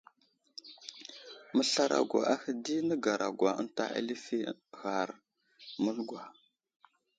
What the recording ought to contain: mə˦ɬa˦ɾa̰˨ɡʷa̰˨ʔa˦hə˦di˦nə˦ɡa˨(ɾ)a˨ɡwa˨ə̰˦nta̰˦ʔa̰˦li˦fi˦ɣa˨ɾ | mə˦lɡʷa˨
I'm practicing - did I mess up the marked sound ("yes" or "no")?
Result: no